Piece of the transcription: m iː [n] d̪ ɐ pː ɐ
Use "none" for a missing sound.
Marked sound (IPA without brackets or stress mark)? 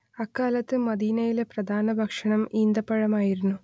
n